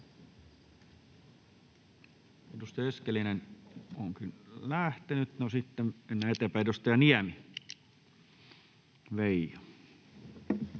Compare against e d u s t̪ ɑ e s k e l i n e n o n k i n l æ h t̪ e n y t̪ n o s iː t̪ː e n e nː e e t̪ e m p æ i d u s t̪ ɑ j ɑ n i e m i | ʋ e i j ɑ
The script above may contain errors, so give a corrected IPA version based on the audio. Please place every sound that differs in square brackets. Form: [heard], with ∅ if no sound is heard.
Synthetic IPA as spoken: e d u s t̪ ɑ e s k e l i n e n o [ŋ] k i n l æ h t̪ e n y t̪ n o s [i] t̪ː e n e nː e e t̪ e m p æ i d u s t̪ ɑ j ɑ n i [æ] m i | ʋ e i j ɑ